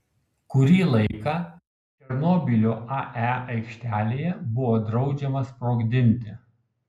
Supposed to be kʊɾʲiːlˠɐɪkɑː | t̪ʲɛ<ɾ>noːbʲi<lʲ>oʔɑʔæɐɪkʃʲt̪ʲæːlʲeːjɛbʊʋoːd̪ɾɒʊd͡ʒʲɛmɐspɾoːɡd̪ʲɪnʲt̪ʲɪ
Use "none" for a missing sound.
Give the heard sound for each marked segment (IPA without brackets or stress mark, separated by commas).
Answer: ɾ, lʲ